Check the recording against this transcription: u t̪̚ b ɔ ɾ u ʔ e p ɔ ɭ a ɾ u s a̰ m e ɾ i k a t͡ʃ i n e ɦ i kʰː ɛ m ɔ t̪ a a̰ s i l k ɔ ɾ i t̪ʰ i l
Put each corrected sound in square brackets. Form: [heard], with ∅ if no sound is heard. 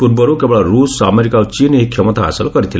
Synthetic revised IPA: u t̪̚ b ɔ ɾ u [k] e [b] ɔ ɭ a ɾ u s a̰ m e ɾ i k a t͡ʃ i n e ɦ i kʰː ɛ m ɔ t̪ a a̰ s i l k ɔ ɾ i t̪ʰ i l

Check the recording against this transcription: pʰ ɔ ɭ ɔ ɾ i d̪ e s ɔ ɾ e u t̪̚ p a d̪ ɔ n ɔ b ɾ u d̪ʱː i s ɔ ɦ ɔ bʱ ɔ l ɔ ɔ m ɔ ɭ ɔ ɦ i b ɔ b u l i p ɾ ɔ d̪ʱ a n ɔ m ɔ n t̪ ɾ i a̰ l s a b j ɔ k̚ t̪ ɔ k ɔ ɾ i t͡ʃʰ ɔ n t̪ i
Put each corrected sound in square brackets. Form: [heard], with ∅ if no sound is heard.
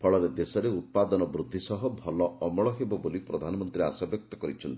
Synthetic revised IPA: pʰ ɔ ɭ ɔ ɾ [e] d̪ e s ɔ ɾ e u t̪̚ p a d̪ ɔ n ɔ b ɾ u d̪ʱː i s ɔ ɦ ɔ bʱ ɔ l ɔ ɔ m ɔ ɭ ɔ ɦ [e] b ɔ b [o] l i p ɾ ɔ d̪ʱ a n ɔ m ɔ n t̪ ɾ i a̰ [∅] s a b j ɔ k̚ t̪ ɔ k ɔ ɾ i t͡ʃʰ ɔ n t̪ i

